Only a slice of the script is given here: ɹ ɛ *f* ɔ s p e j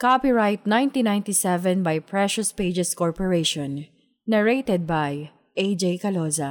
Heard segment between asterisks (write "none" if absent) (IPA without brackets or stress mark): ʃ